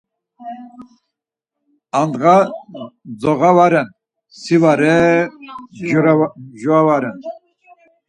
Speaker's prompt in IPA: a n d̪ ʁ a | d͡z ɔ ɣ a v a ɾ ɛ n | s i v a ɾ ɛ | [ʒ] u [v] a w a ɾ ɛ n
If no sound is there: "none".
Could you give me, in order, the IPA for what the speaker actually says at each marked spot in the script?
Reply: ʒ, none

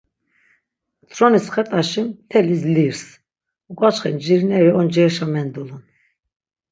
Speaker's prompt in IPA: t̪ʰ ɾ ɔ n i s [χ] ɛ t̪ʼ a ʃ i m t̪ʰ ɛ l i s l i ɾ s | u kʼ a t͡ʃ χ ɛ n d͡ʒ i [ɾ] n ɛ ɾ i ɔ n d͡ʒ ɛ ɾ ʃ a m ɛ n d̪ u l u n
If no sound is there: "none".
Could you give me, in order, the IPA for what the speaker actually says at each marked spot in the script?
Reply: χ, ɾ

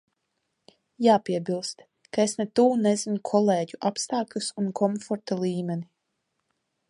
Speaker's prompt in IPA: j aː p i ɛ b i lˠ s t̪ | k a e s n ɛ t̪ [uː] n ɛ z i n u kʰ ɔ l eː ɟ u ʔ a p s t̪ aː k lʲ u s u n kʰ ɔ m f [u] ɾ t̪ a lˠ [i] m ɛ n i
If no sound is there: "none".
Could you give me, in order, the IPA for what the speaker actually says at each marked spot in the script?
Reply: uː, ɔ, iː

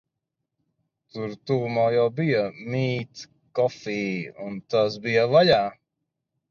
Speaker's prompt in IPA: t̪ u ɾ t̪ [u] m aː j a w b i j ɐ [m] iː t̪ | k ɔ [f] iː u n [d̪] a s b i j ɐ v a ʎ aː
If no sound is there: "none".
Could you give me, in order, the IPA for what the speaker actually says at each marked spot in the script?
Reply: uː, m, f, t̪

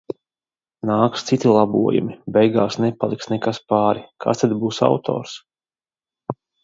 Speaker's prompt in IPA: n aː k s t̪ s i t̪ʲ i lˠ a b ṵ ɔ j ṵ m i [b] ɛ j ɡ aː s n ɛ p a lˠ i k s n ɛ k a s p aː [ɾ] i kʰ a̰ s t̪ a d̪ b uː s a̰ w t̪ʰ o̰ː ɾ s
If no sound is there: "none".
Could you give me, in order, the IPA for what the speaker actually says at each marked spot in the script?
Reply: b, ɾ

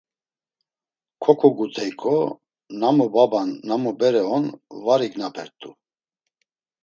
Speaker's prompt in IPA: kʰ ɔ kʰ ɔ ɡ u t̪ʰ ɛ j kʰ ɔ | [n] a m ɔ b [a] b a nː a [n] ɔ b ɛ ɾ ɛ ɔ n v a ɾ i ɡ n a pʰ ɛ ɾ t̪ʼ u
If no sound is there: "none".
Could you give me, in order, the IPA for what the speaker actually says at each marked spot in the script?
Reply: n, a, m

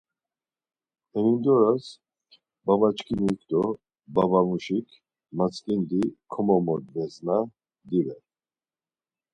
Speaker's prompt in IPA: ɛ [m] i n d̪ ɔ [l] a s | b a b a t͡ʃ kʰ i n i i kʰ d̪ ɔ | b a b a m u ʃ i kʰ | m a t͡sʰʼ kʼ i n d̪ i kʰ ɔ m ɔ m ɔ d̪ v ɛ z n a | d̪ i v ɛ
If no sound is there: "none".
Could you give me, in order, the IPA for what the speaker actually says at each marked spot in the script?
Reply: n, ɾ

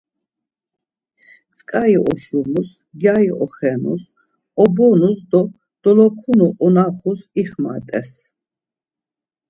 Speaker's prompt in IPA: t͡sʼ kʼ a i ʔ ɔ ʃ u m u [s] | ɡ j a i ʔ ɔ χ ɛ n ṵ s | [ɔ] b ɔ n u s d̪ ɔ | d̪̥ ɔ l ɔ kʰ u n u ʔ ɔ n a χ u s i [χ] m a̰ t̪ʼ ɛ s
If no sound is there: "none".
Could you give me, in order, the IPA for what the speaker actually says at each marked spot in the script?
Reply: s, ɔ, χ

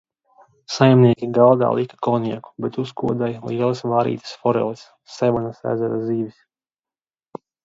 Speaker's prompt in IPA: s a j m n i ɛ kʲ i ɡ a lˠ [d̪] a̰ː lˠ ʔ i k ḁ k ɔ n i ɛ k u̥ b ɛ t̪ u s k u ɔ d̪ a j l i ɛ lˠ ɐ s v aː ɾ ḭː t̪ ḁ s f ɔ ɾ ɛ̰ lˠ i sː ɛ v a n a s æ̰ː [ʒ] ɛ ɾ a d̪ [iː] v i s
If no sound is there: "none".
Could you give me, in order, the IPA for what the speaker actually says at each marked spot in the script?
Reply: d̪, z, iː

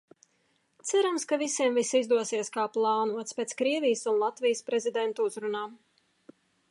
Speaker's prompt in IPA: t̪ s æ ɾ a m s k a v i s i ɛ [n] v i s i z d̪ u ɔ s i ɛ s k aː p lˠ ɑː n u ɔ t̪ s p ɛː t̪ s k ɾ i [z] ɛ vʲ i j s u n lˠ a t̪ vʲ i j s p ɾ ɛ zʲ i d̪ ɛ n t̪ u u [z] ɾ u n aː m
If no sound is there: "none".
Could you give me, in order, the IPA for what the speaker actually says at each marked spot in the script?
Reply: m, none, z

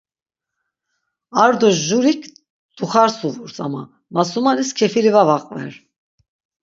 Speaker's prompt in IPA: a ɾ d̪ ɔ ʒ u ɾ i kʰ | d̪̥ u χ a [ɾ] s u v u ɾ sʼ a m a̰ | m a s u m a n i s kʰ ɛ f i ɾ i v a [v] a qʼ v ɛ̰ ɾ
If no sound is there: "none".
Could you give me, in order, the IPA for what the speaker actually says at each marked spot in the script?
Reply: ɾ, v

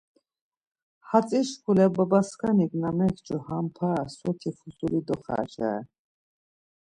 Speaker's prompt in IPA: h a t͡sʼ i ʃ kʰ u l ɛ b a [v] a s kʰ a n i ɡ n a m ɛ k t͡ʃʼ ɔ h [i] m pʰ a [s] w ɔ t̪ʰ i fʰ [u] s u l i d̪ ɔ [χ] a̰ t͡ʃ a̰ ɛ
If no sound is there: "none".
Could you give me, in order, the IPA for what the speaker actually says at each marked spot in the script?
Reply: b, a, s, u, χ

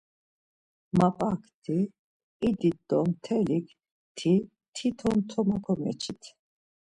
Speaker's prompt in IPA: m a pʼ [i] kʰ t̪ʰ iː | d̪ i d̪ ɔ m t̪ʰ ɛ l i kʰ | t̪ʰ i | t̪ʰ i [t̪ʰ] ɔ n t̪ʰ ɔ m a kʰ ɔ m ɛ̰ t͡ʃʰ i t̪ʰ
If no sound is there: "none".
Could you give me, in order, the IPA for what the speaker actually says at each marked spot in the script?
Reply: a, t̪ʰ

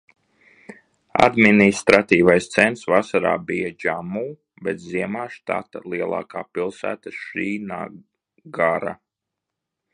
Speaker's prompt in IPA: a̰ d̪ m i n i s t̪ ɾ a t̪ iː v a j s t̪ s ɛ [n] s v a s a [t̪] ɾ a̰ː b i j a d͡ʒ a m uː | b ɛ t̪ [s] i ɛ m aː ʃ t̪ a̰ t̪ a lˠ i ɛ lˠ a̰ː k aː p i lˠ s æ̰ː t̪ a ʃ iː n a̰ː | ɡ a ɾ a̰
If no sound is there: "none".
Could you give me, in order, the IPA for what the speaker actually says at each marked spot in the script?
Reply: n, none, z

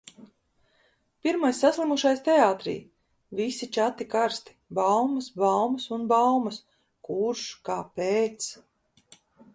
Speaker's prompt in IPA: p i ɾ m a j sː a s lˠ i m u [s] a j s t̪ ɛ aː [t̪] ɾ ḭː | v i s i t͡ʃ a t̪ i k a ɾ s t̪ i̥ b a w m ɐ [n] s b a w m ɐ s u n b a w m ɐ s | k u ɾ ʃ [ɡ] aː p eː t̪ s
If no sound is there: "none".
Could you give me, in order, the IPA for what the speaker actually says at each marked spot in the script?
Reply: ʃ, t̪, none, k

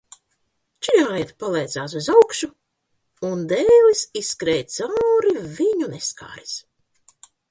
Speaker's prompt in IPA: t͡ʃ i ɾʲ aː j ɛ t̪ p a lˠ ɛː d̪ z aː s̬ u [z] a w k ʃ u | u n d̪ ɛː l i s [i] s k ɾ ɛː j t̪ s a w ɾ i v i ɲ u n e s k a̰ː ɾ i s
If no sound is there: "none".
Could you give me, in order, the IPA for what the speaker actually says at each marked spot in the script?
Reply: z, i

